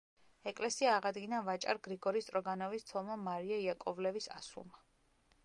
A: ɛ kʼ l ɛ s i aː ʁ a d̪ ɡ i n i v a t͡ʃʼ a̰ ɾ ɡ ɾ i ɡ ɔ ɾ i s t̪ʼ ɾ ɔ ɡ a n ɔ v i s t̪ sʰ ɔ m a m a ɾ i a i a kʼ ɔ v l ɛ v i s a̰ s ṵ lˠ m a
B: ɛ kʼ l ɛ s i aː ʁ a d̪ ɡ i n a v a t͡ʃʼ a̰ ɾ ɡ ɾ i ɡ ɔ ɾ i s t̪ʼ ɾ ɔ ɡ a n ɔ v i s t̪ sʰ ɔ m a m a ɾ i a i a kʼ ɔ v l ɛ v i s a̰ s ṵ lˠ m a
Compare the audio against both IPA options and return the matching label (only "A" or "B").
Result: B